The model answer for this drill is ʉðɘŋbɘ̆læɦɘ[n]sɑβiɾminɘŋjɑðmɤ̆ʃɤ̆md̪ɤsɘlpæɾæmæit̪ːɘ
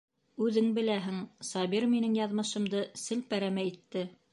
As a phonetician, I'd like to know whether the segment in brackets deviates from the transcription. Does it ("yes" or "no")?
yes